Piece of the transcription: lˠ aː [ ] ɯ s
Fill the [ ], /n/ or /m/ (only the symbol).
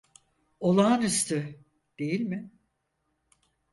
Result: n